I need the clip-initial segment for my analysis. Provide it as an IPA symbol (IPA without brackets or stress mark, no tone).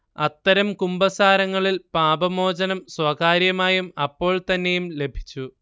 ɐ